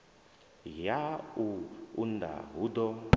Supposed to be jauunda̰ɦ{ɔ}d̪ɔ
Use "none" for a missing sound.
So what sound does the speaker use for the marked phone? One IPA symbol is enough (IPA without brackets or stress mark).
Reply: u